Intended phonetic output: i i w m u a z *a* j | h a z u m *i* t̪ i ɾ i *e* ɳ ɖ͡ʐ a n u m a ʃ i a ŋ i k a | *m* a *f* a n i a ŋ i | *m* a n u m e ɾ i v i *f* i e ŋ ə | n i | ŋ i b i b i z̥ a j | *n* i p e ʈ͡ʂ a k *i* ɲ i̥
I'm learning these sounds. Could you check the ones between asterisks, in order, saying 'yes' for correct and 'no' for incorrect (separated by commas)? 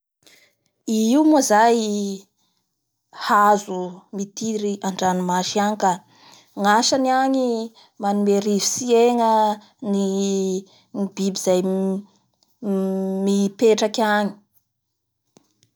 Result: yes, yes, no, no, no, yes, no, no, no